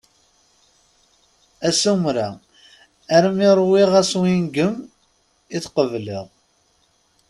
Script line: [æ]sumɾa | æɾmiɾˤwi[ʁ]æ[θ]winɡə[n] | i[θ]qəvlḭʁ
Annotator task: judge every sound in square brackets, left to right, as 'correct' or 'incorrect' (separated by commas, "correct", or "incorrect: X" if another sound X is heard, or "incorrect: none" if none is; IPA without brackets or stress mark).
correct, correct, incorrect: s, incorrect: m, correct